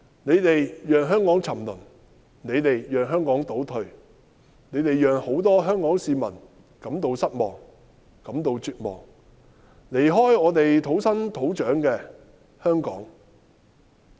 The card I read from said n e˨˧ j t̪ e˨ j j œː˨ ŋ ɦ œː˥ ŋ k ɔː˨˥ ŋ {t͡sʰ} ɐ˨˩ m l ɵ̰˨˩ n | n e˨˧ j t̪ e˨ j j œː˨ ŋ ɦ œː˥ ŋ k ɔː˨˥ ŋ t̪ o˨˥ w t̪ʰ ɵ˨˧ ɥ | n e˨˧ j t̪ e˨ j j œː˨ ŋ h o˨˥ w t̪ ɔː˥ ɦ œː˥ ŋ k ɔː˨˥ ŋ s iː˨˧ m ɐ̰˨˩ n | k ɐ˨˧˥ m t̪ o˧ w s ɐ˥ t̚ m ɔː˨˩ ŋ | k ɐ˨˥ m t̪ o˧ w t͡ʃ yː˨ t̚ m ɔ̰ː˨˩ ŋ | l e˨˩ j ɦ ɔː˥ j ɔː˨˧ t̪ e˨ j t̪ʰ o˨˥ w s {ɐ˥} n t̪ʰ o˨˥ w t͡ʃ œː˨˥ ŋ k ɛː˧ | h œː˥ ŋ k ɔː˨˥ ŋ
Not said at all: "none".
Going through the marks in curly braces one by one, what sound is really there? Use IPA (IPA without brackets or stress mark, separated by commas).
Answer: t͡sʰ, ɐ˥